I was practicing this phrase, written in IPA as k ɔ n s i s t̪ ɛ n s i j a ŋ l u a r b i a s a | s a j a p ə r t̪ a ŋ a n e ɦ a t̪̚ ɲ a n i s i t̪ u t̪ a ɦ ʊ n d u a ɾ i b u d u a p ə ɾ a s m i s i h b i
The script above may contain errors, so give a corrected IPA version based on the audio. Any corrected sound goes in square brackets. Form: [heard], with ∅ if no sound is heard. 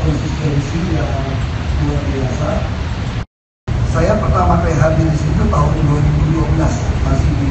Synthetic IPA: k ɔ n s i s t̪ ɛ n s i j a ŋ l u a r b i a s a | s a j a p ə r t̪ a [m] a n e ɦ a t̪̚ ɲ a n i s i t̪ u t̪ a ɦ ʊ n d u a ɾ i b u d u a [b] ə [l] a s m [a] s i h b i